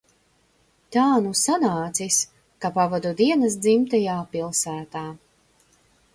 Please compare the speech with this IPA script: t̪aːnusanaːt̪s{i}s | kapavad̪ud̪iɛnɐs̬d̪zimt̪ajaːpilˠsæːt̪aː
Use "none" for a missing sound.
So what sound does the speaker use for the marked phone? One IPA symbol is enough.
i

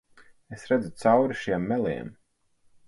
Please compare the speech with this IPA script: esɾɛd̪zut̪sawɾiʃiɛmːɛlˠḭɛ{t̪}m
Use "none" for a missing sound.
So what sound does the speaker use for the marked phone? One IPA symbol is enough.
none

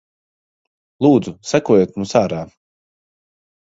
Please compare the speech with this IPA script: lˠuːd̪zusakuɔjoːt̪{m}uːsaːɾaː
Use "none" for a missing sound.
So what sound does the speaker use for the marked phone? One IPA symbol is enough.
m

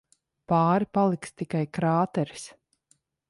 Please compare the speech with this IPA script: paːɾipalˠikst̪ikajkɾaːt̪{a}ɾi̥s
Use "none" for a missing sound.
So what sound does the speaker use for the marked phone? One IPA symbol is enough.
ɛ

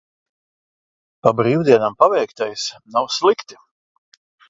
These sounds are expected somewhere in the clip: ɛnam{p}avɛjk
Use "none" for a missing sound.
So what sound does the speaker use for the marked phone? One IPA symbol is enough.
p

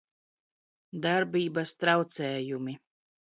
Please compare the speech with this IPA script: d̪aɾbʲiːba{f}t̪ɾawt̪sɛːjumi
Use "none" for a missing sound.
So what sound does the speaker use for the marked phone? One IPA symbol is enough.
s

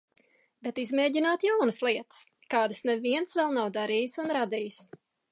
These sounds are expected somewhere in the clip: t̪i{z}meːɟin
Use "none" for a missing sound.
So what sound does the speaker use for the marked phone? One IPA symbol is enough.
z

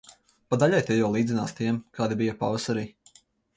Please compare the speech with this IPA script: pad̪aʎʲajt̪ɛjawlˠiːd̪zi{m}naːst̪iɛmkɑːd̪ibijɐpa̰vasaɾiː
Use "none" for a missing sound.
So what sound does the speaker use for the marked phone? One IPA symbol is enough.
none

